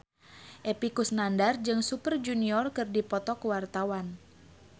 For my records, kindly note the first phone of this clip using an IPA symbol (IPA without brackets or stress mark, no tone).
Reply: ʔ